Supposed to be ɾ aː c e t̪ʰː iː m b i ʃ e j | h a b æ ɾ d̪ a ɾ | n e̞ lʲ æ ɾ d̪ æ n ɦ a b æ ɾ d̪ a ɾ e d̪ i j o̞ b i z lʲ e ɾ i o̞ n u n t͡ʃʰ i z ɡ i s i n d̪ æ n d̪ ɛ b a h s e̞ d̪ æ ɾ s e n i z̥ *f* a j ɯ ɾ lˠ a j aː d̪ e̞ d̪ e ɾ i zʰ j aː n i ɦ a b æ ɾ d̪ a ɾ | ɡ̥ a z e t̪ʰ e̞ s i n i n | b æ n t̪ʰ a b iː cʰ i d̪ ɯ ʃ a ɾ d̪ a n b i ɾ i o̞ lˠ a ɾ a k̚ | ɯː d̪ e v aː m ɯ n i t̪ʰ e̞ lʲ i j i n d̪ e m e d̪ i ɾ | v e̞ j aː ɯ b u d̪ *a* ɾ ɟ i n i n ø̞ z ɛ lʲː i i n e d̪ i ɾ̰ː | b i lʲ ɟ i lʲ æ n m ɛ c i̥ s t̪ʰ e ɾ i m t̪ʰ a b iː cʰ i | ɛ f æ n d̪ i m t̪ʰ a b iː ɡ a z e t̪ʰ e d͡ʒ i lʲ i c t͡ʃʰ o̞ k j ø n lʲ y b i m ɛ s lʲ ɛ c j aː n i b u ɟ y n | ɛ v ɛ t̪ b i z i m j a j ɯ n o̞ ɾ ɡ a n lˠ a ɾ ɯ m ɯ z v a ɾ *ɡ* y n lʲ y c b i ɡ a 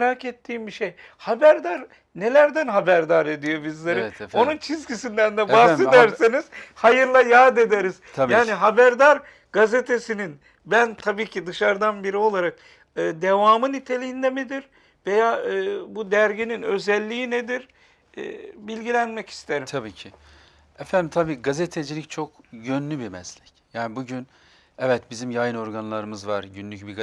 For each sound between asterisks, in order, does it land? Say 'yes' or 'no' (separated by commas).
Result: no, no, no